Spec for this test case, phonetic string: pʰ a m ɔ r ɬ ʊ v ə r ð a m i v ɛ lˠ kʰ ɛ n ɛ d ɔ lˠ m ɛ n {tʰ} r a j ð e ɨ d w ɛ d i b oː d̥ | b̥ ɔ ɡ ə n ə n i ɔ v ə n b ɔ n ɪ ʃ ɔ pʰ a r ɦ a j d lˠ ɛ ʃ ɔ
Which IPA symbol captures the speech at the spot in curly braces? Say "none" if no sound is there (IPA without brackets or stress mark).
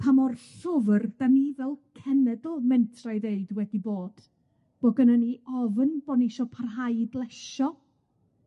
tʰ